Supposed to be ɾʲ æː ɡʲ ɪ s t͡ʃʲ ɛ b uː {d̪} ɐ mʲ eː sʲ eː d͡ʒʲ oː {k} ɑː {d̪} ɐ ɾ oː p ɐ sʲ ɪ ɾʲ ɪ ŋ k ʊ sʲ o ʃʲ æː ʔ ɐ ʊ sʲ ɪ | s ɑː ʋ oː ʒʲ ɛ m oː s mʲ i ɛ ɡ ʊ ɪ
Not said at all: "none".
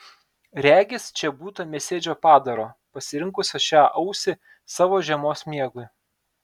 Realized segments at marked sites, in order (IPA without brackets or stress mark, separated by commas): t̪, p, d̪